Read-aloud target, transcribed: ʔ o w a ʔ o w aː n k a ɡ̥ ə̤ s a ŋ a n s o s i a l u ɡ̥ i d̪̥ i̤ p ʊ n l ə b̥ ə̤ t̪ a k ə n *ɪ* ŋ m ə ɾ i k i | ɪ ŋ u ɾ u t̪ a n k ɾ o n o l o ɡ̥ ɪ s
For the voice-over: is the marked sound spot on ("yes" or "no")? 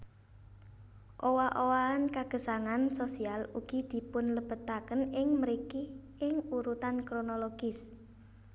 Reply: yes